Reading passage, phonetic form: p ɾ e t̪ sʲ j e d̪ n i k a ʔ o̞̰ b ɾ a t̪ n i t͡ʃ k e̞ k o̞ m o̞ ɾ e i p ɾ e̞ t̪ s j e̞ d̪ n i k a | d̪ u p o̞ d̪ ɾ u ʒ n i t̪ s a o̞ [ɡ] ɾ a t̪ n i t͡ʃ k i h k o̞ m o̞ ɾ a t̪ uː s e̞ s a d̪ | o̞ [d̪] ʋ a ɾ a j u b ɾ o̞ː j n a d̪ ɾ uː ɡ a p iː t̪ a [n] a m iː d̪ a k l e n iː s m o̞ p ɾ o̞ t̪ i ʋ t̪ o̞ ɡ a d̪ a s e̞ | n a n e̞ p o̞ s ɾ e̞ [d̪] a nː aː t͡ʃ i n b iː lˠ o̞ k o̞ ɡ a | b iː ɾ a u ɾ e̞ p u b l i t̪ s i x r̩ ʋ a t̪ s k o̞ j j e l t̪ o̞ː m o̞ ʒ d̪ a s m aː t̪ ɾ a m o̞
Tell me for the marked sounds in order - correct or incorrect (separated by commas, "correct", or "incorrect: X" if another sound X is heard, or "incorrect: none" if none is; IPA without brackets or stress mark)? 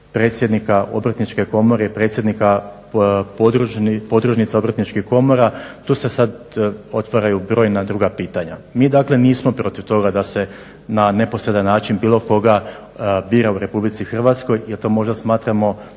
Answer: incorrect: b, incorrect: t̪, incorrect: ɲ, correct